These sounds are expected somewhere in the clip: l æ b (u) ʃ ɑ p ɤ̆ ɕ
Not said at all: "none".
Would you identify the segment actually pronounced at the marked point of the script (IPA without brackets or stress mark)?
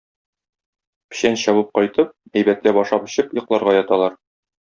ɒ